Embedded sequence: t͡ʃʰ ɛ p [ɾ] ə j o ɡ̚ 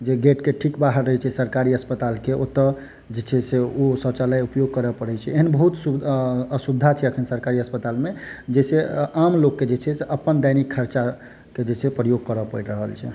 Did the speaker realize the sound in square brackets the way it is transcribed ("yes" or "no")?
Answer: yes